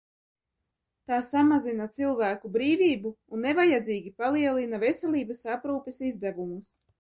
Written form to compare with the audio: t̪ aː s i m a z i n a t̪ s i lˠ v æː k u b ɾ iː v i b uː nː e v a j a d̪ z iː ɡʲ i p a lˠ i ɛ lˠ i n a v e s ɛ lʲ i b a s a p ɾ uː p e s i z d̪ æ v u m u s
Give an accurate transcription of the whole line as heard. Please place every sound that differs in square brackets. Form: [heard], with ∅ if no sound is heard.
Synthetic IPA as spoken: t̪ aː s [a] m a z i n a t̪ s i lˠ v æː k u b ɾ iː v [iː] b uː nː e v a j a d̪ z iː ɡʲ i p a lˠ i ɛ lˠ i n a v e s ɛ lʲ [iː] b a s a p ɾ uː p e s i z d̪ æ v u m u s